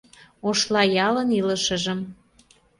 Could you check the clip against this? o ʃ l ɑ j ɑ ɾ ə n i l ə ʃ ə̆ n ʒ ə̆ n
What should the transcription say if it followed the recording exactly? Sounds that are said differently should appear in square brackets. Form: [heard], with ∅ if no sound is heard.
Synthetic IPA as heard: o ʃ l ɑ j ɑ [l] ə n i l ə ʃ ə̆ [∅] ʒ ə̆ [m]